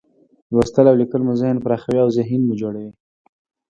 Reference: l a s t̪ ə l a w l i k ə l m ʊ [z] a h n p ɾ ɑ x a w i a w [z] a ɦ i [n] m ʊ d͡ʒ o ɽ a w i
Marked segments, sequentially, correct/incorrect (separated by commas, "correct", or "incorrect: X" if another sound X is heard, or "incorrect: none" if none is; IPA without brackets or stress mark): correct, correct, correct